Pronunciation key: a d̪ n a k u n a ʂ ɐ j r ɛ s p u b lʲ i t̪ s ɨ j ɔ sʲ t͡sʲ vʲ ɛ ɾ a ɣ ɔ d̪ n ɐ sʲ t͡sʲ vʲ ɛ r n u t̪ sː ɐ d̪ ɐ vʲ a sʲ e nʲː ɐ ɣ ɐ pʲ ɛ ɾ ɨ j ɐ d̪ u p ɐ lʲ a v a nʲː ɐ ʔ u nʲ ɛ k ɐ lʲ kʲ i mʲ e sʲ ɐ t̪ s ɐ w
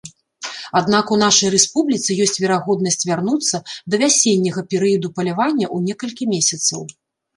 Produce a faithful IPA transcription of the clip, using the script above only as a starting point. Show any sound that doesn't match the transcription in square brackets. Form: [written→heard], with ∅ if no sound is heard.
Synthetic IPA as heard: a d̪ n a k u n a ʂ ɐ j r ɛ s p u b lʲ i t̪ s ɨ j ɔ sʲ t͡sʲ vʲ ɛ ɾ a ɣ ɔ d̪ n ɐ sʲ t͡sʲ vʲ [ɛ→a] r n u t̪ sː ɐ d̪ ɐ vʲ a sʲ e nʲː ɐ ɣ ɐ pʲ ɛ ɾ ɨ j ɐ d̪ u p ɐ lʲ a v a nʲː ɐ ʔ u nʲ ɛ k ɐ lʲ kʲ i mʲ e sʲ ɐ t̪ s ɐ w